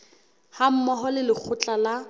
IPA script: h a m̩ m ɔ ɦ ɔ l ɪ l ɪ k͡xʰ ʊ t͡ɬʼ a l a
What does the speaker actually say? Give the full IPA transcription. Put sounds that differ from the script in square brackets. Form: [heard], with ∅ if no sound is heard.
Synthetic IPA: h a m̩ m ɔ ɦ ɔ l ɪ l ɪ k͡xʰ ʊ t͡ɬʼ a l a